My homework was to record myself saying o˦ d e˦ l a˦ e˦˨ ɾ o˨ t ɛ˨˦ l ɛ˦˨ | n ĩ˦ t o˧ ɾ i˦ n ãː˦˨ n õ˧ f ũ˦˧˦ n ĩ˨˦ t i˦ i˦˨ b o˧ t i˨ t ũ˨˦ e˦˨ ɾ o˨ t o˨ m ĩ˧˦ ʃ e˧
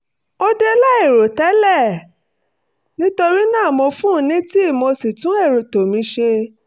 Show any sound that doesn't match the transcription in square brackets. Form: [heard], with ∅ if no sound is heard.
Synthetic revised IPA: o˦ d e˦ l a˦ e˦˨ ɾ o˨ t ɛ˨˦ l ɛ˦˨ | n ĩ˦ t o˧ ɾ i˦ n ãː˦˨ [m] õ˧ f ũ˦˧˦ n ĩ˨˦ t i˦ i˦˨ [m] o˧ [s] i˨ t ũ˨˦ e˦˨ ɾ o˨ t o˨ m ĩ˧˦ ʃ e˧